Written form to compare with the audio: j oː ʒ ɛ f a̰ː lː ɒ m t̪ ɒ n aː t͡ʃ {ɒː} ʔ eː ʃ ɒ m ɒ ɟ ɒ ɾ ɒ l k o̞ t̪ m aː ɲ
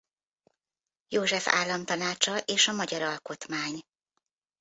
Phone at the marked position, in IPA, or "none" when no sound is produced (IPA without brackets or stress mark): ɒ